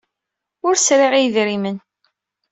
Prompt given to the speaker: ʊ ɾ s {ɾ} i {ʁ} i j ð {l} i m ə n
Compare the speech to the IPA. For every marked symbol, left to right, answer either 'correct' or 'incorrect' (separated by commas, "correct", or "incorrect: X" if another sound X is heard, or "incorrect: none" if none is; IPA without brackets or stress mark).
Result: correct, correct, incorrect: ɾ